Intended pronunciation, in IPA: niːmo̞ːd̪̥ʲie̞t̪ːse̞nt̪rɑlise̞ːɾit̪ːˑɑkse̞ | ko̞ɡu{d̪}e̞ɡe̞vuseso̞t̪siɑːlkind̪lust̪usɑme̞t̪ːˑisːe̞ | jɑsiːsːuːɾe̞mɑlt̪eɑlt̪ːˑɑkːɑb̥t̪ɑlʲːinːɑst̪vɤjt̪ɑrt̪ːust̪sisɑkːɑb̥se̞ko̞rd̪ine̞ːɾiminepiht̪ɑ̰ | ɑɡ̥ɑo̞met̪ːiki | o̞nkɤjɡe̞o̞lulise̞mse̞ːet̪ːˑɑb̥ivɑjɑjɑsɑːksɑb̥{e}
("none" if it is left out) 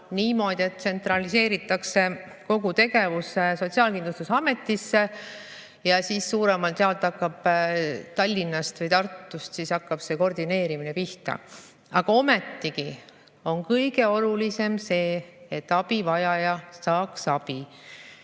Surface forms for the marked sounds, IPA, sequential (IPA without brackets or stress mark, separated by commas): t̪, i